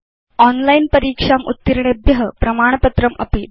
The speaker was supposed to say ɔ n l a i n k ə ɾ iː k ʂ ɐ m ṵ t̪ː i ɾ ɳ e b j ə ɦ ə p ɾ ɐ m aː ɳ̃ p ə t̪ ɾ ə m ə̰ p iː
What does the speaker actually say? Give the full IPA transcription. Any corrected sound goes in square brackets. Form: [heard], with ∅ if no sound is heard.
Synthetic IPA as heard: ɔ n l a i n [p] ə ɾ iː k ʂ [a] m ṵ t̪ː i ɾ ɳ e b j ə ɦ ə p ɾ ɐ m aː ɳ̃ p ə t̪ ɾ ə m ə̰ p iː